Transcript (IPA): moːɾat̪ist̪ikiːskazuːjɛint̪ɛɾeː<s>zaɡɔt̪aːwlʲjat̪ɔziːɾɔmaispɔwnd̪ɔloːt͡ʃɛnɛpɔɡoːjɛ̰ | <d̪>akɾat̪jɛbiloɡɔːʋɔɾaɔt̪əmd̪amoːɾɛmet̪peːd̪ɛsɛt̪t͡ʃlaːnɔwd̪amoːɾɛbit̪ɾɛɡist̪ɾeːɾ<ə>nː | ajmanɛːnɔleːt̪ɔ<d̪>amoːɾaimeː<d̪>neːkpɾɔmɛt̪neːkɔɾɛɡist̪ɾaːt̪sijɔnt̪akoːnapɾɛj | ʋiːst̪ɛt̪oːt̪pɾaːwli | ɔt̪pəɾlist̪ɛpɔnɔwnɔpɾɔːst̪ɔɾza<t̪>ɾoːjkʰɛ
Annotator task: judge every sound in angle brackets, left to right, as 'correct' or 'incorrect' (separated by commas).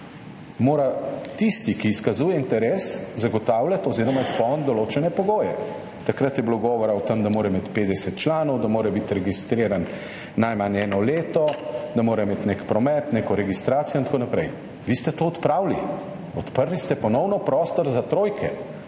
correct, incorrect, incorrect, correct, incorrect, correct